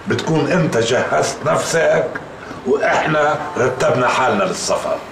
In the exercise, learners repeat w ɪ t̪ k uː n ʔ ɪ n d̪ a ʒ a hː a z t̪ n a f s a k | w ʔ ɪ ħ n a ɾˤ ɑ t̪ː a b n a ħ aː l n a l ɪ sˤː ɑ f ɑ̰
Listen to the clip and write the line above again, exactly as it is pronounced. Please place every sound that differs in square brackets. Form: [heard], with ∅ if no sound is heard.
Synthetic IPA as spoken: [b] ɪ t̪ k uː n ʔ ɪ n [t̪] a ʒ a hː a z t̪ n a f s a k | w ʔ ɪ ħ n a ɾˤ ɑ t̪ː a b n a ħ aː l n a l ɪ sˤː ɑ f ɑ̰

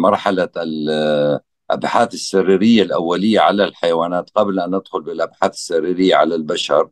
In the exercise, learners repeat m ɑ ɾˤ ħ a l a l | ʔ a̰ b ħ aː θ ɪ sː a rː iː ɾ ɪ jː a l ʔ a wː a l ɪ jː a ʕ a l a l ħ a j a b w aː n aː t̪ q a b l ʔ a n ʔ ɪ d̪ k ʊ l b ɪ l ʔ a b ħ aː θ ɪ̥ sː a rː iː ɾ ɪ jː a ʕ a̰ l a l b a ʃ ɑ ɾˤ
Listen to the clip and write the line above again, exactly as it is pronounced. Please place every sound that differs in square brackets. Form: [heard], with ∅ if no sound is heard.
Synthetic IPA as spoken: m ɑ ɾˤ ħ a l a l | ʔ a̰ b ħ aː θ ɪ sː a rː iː ɾ ɪ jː a l ʔ a wː a l ɪ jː a ʕ a l a l ħ a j a [∅] w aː n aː t̪ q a b l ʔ a n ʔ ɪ d̪ [x] ʊ l b ɪ l ʔ a b ħ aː θ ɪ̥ sː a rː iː ɾ ɪ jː a ʕ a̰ l a l b a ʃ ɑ ɾˤ

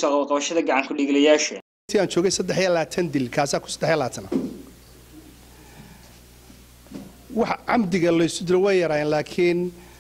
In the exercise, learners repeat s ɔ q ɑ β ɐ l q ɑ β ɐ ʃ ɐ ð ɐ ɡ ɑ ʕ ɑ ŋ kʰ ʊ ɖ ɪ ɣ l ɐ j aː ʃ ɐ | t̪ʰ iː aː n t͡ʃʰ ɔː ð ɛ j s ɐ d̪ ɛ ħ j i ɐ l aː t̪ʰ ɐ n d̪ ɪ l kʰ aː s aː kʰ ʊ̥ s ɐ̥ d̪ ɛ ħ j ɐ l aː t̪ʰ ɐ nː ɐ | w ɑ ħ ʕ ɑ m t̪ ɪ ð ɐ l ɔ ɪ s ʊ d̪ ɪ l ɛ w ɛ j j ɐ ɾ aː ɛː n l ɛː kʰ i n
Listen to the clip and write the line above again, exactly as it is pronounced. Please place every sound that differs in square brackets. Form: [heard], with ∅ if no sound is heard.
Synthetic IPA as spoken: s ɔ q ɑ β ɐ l q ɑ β ɐ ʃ ɐ ð ɐ ɡ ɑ ʕ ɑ ŋ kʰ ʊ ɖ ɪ ɣ l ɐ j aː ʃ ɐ | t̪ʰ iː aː n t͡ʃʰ ɔː [ɣ] ɛ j s ɐ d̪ ɛ ħ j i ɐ l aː t̪ʰ ɐ n d̪ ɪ l kʰ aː s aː kʰ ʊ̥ s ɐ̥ d̪ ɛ ħ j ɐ l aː t̪ʰ ɐ [n] ɐ | w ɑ ħ ʕ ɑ m [d̪] ɪ [ɣ] ɐ l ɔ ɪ s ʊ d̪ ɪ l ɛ w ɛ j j ɐ ɾ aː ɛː n l [aː] kʰ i n

